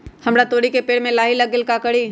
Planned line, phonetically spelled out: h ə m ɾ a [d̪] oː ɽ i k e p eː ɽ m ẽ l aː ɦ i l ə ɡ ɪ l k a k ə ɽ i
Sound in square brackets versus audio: incorrect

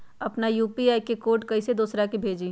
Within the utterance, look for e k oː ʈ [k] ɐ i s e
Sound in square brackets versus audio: correct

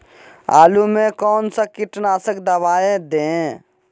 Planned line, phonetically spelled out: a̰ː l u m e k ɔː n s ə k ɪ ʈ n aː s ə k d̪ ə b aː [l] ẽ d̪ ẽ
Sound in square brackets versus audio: incorrect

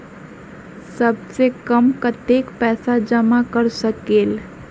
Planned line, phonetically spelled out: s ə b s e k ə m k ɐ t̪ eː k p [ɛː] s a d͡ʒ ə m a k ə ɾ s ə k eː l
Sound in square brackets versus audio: correct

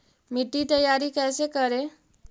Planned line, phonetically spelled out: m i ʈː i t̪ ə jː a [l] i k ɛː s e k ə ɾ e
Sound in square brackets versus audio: incorrect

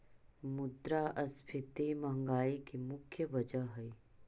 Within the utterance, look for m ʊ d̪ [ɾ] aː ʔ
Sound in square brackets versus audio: correct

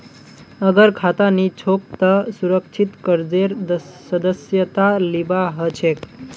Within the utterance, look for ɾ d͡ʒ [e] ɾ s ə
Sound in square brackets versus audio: correct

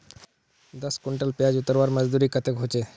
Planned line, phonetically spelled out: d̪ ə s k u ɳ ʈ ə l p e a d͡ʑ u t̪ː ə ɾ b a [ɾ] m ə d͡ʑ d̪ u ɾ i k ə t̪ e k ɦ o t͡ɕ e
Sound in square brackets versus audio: correct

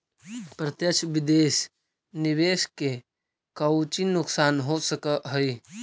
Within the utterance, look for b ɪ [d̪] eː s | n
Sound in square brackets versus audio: correct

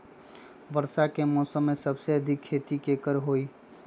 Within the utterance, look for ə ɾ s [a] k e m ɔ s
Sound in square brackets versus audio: correct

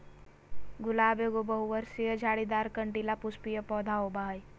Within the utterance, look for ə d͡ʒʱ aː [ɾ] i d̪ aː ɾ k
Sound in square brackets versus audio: incorrect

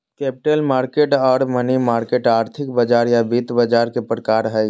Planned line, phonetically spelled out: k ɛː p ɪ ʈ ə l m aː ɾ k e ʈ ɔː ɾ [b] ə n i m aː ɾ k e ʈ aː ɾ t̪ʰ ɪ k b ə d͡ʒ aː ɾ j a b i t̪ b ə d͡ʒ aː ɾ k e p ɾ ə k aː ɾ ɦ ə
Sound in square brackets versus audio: incorrect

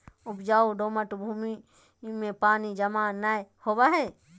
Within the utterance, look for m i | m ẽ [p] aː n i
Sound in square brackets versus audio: correct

